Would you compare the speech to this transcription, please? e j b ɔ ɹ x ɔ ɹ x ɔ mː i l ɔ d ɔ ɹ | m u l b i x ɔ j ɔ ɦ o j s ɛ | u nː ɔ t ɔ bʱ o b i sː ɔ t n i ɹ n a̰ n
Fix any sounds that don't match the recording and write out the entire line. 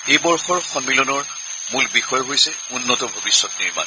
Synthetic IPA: e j b ɔ ɹ x ɔ ɹ x ɔ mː i l ɔ n ɔ ɹ | m u l b i x ɔ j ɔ ɦ o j s ɛ | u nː ɔ t ɔ bʱ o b i sː ɔ t n i ɹ m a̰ n